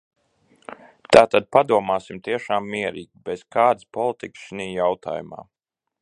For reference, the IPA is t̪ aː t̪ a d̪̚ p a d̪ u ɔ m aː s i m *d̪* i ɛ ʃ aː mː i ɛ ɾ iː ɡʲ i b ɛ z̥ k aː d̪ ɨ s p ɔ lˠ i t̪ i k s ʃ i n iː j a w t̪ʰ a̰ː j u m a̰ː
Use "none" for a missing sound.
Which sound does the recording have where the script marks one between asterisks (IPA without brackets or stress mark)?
t̪